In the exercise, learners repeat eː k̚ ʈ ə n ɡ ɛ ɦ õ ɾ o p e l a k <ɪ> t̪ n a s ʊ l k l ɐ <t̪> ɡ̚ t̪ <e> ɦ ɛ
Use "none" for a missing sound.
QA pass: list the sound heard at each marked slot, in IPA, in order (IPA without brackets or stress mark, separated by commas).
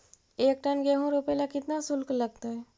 ɪ, none, a